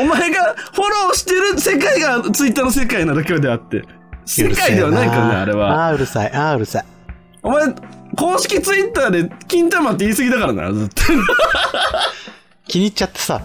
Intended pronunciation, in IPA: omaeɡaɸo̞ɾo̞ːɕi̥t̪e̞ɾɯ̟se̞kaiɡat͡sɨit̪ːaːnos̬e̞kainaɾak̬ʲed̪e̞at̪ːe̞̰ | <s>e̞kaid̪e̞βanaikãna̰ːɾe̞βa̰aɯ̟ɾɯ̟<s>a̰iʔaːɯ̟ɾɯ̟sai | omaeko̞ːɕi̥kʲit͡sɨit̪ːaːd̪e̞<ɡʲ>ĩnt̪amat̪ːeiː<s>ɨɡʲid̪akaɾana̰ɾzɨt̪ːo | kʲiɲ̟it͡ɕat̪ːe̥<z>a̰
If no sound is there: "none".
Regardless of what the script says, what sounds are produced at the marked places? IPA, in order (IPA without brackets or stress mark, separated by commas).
s, s, kʲ, s, s